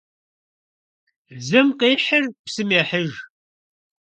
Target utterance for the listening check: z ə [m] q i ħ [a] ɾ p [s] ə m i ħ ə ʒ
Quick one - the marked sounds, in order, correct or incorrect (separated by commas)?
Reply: correct, incorrect, correct